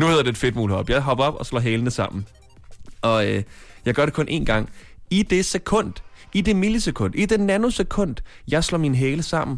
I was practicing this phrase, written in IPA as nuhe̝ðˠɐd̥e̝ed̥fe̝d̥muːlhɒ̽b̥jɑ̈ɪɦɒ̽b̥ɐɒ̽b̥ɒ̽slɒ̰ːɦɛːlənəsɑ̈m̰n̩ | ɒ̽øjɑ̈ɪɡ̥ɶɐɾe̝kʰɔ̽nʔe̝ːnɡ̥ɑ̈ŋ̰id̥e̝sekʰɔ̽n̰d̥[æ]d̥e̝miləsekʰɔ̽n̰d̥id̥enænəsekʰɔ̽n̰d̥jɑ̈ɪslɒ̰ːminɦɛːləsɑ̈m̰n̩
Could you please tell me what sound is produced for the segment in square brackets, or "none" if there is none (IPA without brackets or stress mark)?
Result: i